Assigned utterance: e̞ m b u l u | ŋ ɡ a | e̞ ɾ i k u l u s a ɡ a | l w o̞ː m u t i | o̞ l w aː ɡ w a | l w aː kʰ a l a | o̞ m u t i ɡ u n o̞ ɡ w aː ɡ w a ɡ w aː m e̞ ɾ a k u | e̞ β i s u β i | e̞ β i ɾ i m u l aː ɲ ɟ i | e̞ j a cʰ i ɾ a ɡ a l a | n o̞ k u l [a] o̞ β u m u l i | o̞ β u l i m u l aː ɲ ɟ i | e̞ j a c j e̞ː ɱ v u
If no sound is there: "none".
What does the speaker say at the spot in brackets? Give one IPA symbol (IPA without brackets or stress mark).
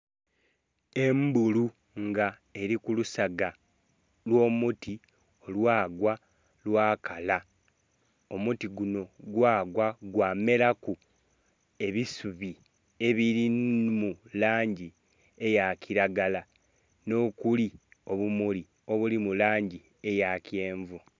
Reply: i